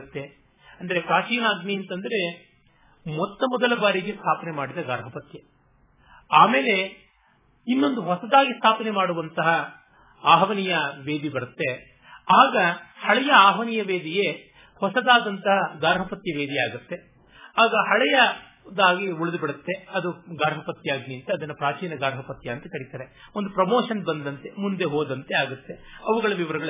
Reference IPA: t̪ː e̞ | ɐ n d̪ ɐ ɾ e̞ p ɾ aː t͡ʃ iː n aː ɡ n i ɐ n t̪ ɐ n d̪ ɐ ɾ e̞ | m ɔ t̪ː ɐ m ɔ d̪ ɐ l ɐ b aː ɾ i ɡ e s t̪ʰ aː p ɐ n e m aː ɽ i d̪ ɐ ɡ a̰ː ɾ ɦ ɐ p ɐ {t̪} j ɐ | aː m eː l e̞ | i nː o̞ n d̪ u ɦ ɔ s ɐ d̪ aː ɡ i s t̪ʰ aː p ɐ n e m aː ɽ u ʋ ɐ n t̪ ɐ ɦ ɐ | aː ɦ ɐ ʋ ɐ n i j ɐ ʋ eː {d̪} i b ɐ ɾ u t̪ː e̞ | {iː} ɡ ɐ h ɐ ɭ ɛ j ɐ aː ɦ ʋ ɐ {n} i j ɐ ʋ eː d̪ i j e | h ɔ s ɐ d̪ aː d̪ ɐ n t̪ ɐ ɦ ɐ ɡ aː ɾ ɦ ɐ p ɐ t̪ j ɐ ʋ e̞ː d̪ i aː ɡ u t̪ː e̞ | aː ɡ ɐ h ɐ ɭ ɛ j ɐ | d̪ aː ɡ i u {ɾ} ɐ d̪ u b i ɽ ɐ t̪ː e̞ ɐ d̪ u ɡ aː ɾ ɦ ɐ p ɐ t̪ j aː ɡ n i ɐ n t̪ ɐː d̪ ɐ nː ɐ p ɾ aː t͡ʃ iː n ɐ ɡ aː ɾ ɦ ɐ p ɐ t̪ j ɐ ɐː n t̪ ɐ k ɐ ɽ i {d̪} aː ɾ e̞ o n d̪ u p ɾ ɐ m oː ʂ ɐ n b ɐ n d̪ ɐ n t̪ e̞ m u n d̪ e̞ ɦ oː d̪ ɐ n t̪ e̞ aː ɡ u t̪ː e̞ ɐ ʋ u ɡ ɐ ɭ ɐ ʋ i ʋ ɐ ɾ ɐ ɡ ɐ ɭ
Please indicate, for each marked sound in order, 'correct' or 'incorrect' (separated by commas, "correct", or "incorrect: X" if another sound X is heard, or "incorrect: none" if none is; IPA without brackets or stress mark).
correct, correct, incorrect: aː, correct, incorrect: ɭ, incorrect: t̪